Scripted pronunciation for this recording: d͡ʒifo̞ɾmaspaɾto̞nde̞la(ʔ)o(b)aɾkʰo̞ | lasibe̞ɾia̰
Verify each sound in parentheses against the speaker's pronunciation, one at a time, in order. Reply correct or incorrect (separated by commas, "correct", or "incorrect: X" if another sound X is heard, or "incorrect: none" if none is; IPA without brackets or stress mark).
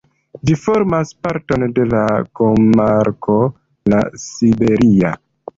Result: incorrect: k, incorrect: m